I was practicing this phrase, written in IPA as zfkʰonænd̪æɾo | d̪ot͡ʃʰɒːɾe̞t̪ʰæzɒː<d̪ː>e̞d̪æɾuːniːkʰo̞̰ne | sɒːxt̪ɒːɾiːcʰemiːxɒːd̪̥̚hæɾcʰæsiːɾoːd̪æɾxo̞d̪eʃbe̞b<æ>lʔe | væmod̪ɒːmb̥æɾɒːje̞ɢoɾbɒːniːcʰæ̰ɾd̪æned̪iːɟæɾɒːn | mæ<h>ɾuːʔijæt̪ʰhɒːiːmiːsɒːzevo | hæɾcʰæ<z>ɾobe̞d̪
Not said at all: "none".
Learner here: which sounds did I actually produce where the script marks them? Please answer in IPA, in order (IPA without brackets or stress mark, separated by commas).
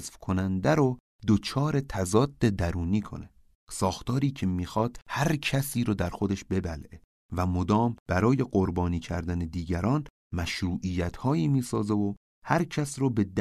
d̪ː, æ, ʃ, s